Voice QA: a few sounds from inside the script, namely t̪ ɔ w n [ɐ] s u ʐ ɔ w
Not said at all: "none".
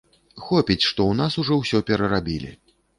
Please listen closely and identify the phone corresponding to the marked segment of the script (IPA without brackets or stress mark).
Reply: a